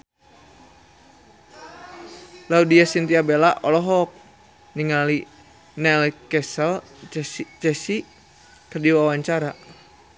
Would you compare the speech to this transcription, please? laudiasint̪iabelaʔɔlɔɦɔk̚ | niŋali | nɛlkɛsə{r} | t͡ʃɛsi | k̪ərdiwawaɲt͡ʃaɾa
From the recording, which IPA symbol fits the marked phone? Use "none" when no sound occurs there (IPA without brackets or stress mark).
l